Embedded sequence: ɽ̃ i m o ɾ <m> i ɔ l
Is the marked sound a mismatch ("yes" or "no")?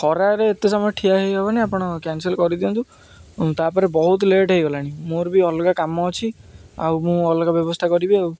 yes